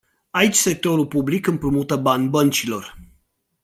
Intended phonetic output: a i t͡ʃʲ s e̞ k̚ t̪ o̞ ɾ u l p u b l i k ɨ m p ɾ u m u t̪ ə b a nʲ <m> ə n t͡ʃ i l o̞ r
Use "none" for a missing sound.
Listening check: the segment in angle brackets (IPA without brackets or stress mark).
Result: b